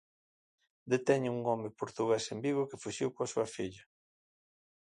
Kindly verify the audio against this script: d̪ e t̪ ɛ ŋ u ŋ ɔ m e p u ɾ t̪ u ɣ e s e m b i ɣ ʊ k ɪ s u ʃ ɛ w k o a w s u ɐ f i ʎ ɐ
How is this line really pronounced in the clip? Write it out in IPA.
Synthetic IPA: d̪ e t̪ ɛ ɲ u ŋ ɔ m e p o ɾ t̪ u ɣ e s e m b i ɣ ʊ k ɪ f u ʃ i w k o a s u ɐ f i ʎ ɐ